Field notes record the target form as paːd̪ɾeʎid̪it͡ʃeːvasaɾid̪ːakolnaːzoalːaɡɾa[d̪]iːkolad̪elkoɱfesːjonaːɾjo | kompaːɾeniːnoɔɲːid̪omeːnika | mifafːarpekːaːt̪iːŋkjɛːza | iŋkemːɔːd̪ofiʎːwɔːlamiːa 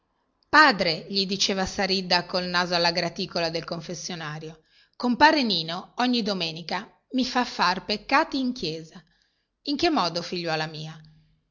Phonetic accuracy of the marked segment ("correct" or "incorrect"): incorrect